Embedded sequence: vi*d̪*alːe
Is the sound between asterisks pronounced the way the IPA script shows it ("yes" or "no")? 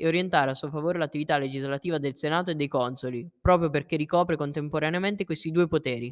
no